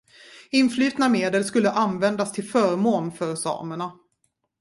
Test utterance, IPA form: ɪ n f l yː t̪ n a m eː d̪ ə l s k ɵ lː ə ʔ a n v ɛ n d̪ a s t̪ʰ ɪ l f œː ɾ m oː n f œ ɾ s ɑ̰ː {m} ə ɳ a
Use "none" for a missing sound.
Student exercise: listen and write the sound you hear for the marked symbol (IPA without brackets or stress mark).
m